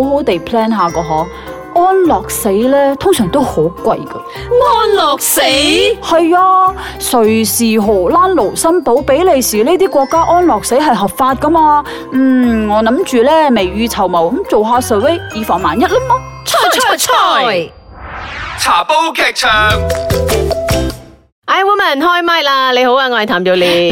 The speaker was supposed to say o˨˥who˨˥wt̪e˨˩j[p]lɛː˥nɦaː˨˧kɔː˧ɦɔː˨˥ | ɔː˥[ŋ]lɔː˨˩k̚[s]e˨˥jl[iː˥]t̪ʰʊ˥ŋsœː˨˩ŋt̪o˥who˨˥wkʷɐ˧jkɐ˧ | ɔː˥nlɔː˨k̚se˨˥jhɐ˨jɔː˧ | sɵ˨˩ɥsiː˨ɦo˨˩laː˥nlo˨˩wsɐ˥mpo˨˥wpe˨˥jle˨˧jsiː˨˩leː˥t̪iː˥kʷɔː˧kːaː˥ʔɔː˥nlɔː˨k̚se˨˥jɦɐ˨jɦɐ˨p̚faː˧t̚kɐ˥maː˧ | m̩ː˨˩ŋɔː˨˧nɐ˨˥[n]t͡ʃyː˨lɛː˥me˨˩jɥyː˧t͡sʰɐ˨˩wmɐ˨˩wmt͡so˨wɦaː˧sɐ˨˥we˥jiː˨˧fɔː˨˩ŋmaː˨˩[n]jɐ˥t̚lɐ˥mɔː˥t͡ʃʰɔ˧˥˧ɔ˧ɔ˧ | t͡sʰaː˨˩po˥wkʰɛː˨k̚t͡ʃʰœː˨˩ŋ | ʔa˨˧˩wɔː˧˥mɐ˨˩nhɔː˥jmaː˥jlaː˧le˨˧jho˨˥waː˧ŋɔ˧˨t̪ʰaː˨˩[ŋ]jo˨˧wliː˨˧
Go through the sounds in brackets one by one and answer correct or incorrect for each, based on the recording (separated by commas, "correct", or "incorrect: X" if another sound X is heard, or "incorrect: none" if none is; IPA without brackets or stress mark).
incorrect: pʰ, incorrect: n, correct, incorrect: ɛː˥, incorrect: m, correct, incorrect: m